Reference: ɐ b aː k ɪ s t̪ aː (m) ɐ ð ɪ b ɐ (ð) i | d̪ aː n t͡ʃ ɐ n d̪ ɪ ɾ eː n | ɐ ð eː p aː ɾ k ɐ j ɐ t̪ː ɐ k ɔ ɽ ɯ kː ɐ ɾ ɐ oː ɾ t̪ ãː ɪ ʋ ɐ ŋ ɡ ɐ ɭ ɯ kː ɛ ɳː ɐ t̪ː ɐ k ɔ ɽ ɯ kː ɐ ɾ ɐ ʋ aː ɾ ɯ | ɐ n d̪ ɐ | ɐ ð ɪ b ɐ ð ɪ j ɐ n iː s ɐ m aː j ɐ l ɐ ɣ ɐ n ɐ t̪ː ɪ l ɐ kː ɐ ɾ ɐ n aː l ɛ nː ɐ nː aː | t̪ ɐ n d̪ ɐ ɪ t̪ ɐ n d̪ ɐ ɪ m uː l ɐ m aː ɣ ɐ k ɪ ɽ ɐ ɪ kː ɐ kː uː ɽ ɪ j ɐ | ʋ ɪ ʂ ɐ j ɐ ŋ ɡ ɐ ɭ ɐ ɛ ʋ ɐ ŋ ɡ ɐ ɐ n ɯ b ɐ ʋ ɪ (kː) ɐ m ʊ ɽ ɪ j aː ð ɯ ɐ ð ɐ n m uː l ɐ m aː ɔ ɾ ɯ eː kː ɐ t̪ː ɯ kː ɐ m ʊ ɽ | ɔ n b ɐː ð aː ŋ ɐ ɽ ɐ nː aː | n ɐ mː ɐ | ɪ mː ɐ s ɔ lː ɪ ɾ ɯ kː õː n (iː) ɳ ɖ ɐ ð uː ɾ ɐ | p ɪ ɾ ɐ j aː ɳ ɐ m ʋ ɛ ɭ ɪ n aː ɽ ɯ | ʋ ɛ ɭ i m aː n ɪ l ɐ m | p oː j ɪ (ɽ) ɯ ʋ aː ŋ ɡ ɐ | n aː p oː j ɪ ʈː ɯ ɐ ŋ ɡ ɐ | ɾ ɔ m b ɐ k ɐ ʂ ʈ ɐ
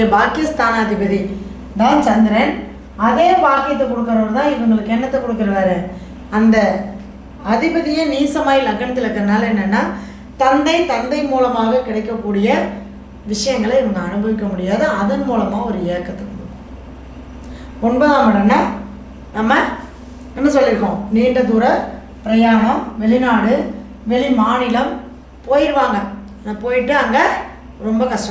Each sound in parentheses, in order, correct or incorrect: incorrect: n, correct, correct, correct, incorrect: ɾ

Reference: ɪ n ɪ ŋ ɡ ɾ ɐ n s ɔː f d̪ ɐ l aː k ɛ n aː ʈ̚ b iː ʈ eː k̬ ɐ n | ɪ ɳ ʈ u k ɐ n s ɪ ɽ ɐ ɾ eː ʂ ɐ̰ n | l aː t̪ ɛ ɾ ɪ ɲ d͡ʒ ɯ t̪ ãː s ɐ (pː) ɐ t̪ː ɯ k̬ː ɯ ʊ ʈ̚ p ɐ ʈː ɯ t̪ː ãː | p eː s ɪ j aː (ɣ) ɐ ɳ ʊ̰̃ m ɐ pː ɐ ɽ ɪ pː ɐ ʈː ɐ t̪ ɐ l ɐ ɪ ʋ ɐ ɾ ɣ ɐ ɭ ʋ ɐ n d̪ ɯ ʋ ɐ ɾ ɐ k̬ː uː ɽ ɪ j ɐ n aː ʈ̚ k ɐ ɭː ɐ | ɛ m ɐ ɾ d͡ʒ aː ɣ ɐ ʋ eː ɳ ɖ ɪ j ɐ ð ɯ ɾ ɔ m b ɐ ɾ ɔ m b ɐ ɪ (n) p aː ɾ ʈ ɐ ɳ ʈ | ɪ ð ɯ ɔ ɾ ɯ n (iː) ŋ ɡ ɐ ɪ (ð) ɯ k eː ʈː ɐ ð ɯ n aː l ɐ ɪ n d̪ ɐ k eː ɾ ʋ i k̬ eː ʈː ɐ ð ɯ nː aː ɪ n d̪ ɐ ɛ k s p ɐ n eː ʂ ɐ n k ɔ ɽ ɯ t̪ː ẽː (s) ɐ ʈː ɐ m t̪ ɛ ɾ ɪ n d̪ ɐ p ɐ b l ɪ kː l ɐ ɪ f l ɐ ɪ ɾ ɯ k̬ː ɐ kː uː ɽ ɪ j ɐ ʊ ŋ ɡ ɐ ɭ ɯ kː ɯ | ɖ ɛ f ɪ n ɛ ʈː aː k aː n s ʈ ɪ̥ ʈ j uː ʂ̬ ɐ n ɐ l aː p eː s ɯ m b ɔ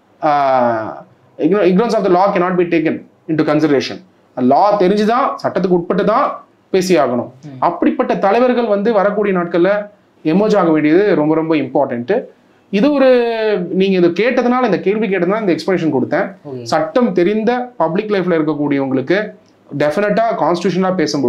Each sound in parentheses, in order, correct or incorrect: incorrect: ʈː, correct, incorrect: m, correct, correct, correct

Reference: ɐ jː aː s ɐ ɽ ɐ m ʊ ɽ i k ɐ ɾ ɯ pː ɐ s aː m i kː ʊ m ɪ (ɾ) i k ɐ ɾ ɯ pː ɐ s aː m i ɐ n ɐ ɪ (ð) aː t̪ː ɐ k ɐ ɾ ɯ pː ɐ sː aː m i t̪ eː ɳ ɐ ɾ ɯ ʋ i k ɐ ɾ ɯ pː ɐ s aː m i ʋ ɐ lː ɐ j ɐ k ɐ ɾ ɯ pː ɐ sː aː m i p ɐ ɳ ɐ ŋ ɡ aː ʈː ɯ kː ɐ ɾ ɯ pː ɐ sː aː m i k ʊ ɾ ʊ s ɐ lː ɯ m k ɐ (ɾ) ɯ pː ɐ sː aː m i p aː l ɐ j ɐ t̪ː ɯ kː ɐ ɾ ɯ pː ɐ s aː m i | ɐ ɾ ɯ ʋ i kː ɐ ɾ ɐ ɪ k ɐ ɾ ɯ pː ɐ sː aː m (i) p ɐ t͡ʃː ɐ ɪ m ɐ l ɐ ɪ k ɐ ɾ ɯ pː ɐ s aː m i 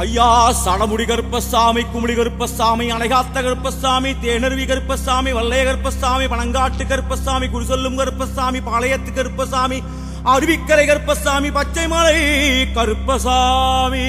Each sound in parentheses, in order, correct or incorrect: incorrect: ɽ, incorrect: ɣ, correct, correct

